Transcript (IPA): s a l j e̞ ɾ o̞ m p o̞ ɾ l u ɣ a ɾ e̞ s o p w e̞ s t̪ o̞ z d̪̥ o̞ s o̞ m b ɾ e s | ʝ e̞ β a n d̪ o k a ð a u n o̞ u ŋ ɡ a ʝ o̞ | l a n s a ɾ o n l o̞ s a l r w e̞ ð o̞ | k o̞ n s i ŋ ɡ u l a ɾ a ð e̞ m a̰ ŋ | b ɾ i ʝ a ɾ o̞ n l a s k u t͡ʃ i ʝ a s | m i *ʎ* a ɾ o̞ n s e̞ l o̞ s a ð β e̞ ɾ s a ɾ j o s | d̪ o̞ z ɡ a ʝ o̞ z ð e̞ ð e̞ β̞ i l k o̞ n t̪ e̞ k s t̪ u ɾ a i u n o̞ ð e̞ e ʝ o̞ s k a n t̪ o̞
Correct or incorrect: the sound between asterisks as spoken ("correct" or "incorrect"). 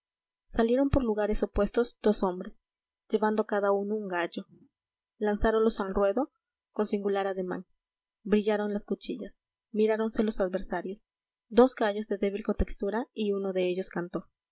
incorrect